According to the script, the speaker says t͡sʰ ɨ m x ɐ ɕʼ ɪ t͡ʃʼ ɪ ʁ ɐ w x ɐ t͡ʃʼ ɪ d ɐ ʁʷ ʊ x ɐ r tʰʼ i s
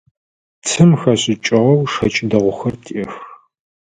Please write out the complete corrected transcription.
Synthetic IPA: t͡sʰ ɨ m x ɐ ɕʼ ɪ t͡ʃʼ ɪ ʁ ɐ w ʂ ɐ t͡ʃʼ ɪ d ɐ ʁʷ ʊ x ɐ r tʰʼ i x